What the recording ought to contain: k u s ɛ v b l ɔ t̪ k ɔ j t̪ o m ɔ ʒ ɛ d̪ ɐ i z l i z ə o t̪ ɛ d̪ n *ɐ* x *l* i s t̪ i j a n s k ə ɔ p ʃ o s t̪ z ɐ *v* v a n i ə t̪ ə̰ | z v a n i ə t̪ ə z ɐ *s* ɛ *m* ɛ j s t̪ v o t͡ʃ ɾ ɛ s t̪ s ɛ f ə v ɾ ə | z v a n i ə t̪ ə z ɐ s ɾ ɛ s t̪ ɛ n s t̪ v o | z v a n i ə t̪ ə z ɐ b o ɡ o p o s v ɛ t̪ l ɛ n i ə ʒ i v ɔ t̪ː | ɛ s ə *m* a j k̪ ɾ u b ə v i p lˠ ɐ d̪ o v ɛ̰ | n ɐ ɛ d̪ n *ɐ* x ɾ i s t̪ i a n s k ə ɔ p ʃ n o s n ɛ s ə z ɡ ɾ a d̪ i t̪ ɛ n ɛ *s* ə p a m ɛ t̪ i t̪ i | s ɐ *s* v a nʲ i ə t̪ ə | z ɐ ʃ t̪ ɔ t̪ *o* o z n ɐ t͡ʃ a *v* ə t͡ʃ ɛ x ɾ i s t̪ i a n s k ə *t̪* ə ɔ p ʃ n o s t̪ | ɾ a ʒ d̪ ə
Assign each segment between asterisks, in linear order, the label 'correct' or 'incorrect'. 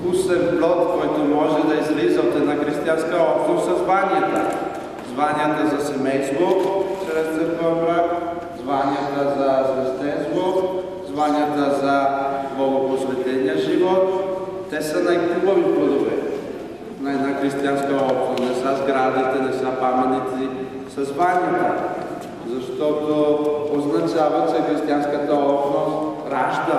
incorrect, incorrect, incorrect, correct, correct, incorrect, incorrect, correct, incorrect, correct, correct, correct

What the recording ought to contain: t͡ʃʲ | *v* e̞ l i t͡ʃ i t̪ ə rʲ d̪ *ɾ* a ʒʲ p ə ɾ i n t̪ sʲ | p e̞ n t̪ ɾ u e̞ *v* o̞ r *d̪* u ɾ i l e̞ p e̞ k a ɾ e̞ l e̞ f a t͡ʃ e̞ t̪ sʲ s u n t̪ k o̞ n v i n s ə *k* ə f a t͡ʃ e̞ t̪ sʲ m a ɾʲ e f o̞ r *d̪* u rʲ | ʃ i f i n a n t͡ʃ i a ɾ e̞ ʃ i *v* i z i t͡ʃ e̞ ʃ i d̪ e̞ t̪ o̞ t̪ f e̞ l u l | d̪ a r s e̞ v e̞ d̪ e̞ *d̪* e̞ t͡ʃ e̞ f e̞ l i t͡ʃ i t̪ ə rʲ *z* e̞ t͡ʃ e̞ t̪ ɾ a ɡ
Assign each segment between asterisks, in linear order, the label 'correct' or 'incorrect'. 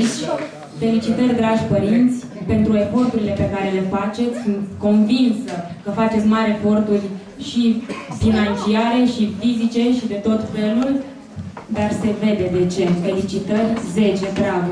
incorrect, correct, incorrect, incorrect, correct, incorrect, incorrect, correct, correct

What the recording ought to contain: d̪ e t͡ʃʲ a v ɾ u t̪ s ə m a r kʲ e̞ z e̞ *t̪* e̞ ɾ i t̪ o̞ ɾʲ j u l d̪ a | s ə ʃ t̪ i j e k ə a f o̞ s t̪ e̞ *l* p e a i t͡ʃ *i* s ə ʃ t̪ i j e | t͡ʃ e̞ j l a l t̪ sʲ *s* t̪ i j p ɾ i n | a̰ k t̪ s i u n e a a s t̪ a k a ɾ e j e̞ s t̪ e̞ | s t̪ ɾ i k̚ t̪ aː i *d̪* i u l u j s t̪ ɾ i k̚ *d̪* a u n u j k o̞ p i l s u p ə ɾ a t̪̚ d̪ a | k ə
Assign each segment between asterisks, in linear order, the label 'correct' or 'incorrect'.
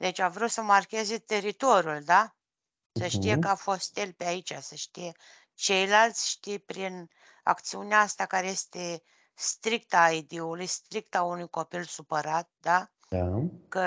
correct, correct, incorrect, incorrect, correct, incorrect

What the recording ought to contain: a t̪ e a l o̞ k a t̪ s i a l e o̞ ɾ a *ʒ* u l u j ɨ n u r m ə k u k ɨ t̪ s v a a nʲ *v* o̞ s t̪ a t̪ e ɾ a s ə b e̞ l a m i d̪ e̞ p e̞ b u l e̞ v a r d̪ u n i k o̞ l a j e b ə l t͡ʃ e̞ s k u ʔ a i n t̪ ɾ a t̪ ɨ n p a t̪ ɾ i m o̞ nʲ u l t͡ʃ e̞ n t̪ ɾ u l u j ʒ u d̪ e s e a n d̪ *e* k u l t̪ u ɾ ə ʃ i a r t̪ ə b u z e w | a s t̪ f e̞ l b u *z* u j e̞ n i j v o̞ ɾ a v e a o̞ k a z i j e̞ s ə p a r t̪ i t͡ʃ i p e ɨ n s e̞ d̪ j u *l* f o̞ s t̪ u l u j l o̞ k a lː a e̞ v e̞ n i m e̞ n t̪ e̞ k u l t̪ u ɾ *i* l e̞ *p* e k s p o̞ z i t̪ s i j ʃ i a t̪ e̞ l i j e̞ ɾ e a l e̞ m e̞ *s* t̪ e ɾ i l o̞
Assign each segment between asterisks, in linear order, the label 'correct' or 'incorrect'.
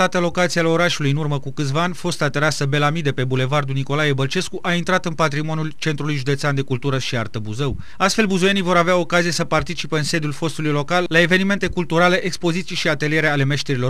incorrect, incorrect, correct, correct, correct, incorrect, incorrect, incorrect

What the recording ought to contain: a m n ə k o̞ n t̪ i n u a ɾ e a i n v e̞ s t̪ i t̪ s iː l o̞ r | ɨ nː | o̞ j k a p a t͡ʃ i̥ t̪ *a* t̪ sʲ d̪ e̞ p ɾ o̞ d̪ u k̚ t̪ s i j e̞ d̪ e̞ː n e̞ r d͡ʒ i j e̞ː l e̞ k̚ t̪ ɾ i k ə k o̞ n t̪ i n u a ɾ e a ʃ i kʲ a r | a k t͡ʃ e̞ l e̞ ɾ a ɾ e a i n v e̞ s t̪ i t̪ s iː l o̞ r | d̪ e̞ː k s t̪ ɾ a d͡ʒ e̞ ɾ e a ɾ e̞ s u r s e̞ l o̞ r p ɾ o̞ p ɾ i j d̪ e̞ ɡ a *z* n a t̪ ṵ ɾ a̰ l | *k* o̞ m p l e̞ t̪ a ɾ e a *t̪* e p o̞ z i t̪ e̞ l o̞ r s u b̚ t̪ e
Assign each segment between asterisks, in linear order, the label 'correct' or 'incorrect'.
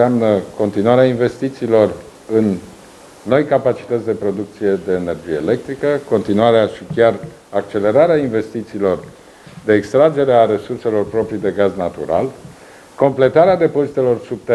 incorrect, correct, correct, incorrect

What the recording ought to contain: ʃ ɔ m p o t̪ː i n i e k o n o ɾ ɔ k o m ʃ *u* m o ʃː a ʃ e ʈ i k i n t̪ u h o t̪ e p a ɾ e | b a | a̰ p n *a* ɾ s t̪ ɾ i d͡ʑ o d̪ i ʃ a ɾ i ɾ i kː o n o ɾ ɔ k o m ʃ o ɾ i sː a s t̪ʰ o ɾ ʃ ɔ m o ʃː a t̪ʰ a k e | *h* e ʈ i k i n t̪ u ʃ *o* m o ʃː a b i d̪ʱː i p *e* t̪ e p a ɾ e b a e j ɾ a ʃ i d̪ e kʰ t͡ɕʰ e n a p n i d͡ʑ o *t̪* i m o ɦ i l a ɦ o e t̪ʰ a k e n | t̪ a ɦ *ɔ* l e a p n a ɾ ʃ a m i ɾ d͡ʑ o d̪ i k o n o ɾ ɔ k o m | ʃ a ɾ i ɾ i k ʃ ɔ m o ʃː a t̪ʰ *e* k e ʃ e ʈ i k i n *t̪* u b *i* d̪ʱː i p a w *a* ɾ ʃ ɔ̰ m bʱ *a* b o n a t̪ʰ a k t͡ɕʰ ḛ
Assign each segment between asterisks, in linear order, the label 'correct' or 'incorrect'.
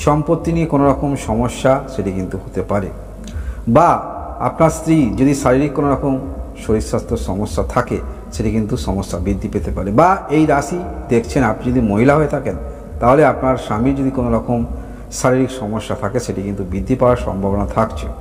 incorrect, correct, incorrect, incorrect, correct, incorrect, incorrect, incorrect, correct, correct, correct, correct

